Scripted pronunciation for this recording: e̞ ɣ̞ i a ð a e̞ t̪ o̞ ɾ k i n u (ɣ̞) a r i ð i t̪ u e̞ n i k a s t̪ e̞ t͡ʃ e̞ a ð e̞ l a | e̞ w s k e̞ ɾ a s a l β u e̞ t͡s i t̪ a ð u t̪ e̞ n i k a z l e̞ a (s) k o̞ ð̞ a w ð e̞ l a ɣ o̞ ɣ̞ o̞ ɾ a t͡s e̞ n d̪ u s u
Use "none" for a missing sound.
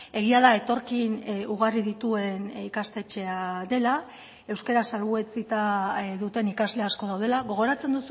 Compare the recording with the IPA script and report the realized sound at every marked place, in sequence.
ɣ̞, s

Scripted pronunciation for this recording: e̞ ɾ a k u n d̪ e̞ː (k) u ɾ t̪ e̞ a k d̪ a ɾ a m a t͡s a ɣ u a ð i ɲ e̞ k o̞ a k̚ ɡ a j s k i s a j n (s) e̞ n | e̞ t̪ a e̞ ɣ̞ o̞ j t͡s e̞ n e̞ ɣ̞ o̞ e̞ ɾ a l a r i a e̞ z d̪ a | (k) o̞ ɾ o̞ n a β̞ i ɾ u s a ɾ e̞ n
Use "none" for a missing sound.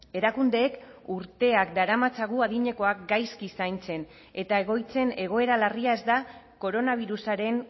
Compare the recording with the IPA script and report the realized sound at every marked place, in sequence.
k, t͡s, k

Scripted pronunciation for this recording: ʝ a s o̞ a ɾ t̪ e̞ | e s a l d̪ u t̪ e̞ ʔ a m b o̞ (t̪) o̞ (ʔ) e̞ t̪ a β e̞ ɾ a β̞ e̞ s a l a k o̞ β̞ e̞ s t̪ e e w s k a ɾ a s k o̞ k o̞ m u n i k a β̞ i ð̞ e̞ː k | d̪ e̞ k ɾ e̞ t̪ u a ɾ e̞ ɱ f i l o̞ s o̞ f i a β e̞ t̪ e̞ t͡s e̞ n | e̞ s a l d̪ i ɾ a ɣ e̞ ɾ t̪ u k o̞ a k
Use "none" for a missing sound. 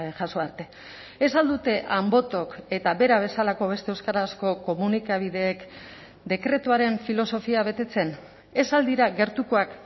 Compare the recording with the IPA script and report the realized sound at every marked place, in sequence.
t̪, k

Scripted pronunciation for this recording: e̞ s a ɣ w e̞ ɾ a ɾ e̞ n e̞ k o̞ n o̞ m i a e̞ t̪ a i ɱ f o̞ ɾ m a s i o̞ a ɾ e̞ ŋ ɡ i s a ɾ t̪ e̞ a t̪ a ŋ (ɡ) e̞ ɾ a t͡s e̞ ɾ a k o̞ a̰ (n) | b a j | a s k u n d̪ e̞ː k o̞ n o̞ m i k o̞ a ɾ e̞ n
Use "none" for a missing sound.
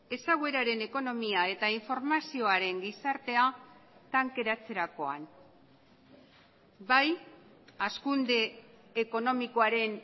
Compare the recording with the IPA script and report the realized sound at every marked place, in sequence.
k, n

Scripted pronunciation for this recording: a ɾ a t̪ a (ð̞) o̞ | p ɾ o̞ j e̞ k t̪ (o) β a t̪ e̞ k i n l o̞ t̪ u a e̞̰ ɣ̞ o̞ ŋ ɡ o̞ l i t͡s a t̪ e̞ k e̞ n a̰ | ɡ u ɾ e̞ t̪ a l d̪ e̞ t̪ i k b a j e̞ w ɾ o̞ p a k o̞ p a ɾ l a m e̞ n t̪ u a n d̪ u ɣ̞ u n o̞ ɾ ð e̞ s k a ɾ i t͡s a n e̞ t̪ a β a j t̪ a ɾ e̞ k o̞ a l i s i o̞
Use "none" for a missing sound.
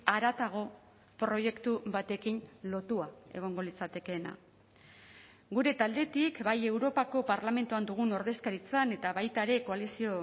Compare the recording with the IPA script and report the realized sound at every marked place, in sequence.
ɣ̞, u

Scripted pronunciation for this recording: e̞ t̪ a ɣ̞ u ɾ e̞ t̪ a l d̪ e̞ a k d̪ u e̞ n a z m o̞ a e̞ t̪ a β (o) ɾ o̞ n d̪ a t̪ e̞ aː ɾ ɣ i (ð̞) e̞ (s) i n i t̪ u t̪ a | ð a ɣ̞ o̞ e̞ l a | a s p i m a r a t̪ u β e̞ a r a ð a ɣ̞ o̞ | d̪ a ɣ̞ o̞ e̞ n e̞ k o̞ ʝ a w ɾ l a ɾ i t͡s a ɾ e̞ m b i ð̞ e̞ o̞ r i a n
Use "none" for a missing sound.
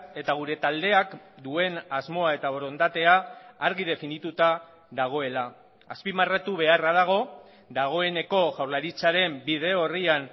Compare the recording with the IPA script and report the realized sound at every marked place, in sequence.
o, ð̞, f

